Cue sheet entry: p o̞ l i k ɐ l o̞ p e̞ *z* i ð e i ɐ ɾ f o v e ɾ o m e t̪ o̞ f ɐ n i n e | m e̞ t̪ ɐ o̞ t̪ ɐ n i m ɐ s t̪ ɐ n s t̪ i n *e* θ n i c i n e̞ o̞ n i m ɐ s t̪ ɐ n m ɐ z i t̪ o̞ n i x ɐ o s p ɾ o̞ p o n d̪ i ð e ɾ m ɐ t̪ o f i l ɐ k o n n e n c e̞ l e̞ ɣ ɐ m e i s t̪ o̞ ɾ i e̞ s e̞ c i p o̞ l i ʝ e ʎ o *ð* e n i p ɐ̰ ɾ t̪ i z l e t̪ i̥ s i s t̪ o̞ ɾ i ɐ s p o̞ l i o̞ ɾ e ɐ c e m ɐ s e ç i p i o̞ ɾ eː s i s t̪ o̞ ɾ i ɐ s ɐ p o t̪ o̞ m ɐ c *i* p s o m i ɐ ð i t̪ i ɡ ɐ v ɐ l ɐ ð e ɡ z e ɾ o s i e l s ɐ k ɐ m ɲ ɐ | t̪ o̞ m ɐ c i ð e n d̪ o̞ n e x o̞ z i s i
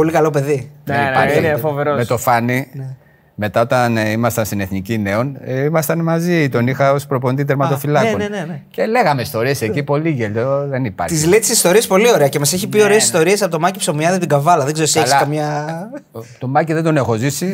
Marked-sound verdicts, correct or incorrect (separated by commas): incorrect, correct, correct, correct